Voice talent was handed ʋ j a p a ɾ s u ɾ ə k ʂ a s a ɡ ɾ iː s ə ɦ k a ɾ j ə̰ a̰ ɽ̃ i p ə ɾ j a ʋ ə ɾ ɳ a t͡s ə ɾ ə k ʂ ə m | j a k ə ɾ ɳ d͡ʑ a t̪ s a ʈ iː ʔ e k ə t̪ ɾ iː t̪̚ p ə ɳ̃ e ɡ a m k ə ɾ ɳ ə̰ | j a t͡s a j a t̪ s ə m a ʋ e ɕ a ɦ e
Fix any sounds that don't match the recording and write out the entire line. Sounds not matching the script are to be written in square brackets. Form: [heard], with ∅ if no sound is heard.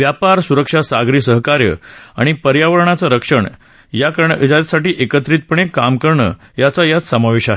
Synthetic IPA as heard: ʋ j a p a ɾ s u ɾ ə k ʂ a s a ɡ ɾ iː s ə ɦ k a ɾ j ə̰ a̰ ɽ̃ i p ə ɾ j a ʋ ə ɾ ɳ a t͡s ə ɾ ə k ʂ ə [ɳ] | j a k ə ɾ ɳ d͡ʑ a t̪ s a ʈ iː ʔ e k ə t̪ ɾ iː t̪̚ p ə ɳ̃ e [k] a m k ə ɾ ɳ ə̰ | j a t͡s a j a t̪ s ə m a ʋ e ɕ a ɦ e

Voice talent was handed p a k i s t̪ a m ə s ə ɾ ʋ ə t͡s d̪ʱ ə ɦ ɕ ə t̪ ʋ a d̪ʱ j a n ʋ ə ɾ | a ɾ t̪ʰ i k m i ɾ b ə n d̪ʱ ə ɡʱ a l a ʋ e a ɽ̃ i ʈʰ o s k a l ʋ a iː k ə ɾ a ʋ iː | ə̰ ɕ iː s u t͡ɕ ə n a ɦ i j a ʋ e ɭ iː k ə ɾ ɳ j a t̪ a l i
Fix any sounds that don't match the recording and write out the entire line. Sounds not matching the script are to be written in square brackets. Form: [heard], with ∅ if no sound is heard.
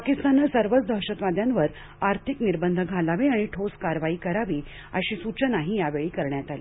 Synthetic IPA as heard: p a k i s t̪ a [n] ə s ə ɾ ʋ ə t͡s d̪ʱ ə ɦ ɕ ə t̪ ʋ a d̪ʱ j a n ʋ ə ɾ | a ɾ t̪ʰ i k [n] i ɾ b ə n d̪ʱ ə ɡʱ a l a ʋ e a ɽ̃ i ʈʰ o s k a [ɾ] ʋ a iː k ə ɾ a ʋ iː | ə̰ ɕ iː s u t͡ɕ ə n a ɦ i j a ʋ e ɭ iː k ə ɾ ɳ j a t̪ a l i

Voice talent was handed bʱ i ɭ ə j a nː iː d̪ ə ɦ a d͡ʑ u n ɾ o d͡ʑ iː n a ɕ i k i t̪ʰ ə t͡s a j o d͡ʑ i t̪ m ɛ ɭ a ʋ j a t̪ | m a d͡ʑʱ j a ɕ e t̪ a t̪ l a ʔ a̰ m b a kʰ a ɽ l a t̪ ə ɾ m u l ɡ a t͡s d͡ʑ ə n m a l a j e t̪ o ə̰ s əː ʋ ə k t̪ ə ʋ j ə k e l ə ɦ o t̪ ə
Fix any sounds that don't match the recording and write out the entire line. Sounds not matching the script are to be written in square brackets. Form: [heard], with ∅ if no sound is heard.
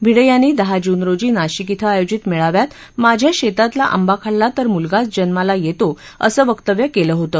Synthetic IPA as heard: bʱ i [ɽ] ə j a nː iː d̪ ə ɦ a d͡ʑ u n ɾ o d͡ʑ iː n a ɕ i k i t̪ʰ ə [∅] a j o d͡ʑ i t̪ m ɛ ɭ a ʋ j a t̪ | m a d͡ʑʱ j a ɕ e t̪ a t̪ l a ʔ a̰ m b a kʰ a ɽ l a t̪ ə ɾ m u l ɡ a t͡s d͡ʑ ə n m a l a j e t̪ o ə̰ s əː ʋ ə k t̪ ə ʋ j ə k e l ə ɦ o t̪ ə

